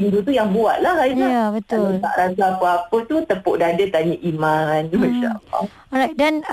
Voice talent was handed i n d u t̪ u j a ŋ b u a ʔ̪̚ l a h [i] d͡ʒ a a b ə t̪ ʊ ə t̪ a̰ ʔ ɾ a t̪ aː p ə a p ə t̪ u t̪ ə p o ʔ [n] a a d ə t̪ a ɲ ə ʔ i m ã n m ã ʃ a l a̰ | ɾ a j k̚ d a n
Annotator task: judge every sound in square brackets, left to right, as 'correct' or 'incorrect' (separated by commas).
incorrect, incorrect